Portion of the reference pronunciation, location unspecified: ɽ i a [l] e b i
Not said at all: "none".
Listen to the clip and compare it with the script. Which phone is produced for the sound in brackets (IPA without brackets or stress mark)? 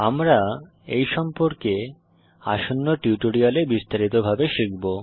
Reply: l